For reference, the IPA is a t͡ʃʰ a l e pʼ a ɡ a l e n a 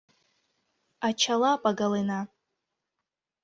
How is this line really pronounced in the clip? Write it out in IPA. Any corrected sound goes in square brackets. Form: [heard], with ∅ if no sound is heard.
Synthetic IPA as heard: a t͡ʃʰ a l [a] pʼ a ɡ a l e n a

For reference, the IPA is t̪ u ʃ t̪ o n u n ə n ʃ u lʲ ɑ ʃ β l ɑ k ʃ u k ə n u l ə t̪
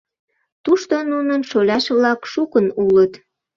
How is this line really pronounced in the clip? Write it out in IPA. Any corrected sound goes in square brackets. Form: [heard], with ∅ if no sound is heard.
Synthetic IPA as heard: t̪ u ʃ t̪ o n u n ə n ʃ [o] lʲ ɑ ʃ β l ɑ k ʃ u k ə n u l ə t̪

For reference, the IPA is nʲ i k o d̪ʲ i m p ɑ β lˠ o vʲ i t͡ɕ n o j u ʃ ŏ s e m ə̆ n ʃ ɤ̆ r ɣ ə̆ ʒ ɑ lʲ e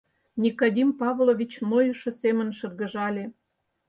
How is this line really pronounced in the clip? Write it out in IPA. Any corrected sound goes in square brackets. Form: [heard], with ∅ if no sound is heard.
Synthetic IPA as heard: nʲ i k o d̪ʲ i m p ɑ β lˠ o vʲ i t͡ɕ n o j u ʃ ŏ s e m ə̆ n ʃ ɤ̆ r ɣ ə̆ ʒ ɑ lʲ e

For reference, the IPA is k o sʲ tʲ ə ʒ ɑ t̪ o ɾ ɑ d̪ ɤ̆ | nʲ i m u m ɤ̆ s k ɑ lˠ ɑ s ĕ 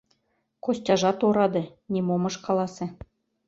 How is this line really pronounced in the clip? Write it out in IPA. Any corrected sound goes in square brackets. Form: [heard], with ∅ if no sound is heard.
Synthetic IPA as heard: k o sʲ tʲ [ɑ] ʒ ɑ t̪ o ɾ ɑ d̪ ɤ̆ | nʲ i m [o] m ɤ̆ [ʃ] k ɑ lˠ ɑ s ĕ

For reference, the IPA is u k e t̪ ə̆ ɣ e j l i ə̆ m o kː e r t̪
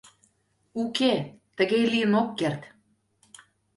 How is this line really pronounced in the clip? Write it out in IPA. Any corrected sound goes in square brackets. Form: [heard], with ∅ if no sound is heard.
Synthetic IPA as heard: u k e t̪ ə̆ ɣ e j l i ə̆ [n] o kː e r t̪

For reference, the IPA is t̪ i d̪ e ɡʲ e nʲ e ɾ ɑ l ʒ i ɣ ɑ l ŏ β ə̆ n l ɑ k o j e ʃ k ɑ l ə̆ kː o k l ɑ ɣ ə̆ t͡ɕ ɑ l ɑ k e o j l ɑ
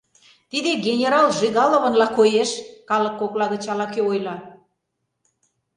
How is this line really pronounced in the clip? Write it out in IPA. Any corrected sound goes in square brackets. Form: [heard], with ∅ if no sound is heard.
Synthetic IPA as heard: t̪ i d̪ e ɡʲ e nʲ e ɾ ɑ l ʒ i ɣ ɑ l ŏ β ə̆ n l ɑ k o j e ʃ k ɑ l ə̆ kː o k l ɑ ɣ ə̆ t͡ɕ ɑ l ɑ k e o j l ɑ

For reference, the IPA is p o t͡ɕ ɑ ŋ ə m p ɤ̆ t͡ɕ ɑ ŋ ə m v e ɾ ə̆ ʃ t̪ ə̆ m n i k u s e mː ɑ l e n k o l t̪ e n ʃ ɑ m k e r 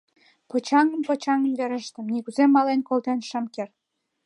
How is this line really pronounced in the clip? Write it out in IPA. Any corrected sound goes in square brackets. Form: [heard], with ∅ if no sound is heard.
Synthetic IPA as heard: p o t͡ɕ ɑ ŋ ə m p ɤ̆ t͡ɕ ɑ ŋ ə m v e ɾ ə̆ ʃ t̪ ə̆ m n i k u [z] e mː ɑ l e n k o l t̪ e n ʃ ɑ m k e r

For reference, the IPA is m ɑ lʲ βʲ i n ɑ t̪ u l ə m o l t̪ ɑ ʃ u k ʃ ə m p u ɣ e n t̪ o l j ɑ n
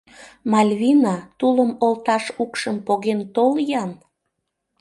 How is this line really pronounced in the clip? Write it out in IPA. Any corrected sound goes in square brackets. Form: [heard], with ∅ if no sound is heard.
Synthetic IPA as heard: m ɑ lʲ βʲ i n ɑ t̪ u l ə m o l t̪ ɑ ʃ u k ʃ ə m p [o] ɣ e n t̪ o l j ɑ n

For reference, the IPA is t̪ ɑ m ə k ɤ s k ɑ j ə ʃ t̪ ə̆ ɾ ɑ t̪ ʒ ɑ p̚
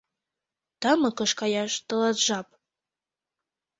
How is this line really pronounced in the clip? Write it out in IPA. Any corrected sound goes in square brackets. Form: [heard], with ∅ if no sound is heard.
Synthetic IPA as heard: t̪ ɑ m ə k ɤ [ʃ] k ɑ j [ɑ] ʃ t̪ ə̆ [l] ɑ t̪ ʒ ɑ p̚

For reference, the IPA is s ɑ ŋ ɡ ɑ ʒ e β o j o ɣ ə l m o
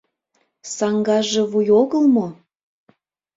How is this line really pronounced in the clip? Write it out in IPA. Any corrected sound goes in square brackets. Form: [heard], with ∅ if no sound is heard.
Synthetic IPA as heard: s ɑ ŋ ɡ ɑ ʒ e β [u] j o ɣ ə l m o

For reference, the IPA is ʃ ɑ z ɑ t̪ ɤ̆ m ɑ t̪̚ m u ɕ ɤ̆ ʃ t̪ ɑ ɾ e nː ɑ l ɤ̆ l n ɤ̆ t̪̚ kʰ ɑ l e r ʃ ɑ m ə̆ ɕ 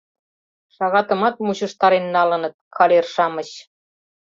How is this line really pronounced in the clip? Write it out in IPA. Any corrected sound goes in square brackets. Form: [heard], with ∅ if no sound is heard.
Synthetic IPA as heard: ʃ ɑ [ɣ] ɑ t̪ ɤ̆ m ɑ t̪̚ m u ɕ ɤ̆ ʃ t̪ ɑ ɾ e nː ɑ l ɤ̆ [∅] n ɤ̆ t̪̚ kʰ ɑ l e r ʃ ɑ m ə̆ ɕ

